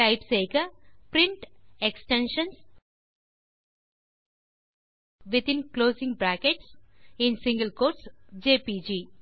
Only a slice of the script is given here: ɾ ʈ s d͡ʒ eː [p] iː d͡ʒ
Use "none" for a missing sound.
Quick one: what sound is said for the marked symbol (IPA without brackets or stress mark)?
p